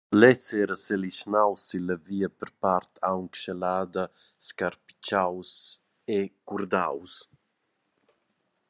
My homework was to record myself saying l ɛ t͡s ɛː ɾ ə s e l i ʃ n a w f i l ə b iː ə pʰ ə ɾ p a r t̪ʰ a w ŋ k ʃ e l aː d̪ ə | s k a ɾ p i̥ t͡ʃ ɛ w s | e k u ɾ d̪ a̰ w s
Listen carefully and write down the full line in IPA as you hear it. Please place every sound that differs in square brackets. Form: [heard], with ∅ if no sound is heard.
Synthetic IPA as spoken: l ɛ t͡s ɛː ɾ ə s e l i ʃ n a w [s] i l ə [v] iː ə [p] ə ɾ p a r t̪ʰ a w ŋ k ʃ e l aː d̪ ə | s k a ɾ p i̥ t͡ʃ [a] w s | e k u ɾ d̪ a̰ w s